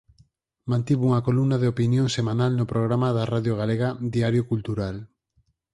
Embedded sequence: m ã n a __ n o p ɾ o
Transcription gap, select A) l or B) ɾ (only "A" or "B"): A